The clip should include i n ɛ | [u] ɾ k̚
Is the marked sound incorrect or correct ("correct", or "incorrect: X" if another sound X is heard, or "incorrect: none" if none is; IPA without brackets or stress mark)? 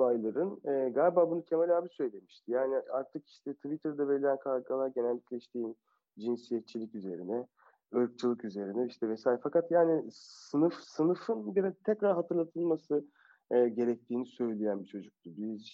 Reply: incorrect: ɯ